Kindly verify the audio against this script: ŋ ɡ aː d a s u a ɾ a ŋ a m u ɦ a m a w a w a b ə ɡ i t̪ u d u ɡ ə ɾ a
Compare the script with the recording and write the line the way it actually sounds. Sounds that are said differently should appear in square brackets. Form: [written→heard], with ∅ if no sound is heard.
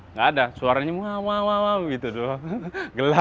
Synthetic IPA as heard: ŋ ɡ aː d a s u a ɾ a [ŋ→ɲ] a m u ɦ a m a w a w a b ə ɡ i t̪ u d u ɡ ə [ɾ→l] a